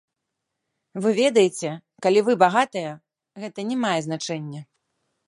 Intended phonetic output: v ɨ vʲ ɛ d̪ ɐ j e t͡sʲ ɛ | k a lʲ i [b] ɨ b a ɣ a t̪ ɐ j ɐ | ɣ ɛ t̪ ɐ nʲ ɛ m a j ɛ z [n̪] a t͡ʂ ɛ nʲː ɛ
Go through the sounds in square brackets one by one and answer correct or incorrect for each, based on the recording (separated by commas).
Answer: incorrect, correct